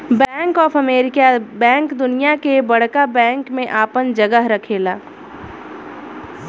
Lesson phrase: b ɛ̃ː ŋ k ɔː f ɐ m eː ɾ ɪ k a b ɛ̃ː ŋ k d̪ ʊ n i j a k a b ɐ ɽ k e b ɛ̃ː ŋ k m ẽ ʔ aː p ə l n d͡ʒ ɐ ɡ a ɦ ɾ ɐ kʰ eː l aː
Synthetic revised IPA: b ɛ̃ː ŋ k ɔː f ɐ m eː ɾ ɪ k a b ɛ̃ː ŋ k d̪ ʊ n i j a k e b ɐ ɽ k a b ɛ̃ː ŋ k m ẽ ʔ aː p ə n d͡ʒ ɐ ɡ ə ɦ ɾ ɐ kʰ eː l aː